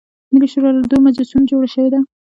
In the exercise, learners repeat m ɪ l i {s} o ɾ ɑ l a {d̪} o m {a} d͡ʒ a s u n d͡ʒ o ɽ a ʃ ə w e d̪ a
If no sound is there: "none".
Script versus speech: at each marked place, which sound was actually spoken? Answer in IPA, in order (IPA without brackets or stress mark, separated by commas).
ʃ, d̪, a